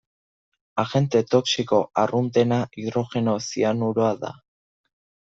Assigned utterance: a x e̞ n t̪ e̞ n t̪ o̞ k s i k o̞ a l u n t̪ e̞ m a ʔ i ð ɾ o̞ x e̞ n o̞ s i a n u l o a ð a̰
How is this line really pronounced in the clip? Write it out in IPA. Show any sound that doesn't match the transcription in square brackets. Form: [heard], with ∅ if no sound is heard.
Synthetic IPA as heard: a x e̞ n t̪ e̞ [∅] t̪ o̞ k s i k o̞ a [r] u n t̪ e̞ [n] a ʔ i ð ɾ o̞ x e̞ n o̞ s i a n u [ɾ] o a ð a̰